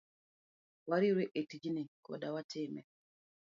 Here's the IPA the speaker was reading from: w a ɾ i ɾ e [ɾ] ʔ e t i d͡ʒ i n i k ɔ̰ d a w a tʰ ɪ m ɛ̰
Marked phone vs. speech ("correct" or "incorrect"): incorrect